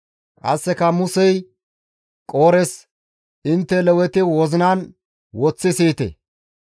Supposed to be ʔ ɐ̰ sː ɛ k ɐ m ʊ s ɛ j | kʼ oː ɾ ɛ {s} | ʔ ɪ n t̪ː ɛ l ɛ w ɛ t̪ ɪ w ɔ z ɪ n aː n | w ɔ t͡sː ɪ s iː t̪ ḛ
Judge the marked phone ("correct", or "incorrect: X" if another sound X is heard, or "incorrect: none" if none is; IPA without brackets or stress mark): correct